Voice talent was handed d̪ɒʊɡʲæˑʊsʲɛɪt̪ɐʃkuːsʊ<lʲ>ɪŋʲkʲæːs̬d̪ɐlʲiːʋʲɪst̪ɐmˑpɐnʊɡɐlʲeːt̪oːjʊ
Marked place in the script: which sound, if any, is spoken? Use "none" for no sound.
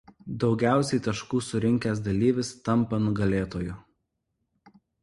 ɾʲ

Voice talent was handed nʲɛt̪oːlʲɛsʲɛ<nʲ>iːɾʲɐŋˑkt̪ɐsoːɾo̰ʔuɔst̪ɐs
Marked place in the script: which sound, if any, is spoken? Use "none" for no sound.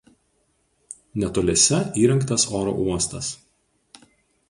none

